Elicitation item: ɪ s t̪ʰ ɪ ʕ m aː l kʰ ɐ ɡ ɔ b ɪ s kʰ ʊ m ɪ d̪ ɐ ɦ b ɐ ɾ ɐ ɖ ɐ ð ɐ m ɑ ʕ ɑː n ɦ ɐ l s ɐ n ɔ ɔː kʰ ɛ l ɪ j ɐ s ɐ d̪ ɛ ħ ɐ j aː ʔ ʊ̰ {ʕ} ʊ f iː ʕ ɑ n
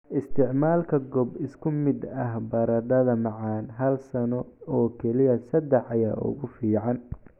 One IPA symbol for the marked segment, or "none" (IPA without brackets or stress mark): ɣ